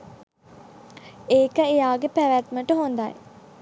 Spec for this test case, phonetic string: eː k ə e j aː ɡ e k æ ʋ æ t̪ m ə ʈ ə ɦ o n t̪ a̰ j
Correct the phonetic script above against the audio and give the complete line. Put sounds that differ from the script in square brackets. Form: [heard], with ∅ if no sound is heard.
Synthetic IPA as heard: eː k ə e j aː ɡ e [p] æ ʋ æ t̪ m ə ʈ ə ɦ o n [d̪] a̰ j